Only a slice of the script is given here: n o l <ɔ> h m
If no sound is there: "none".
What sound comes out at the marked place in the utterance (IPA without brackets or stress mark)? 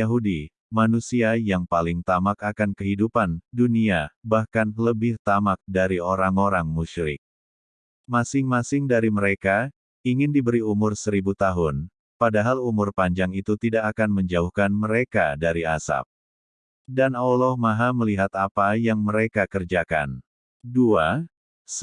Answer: ɔ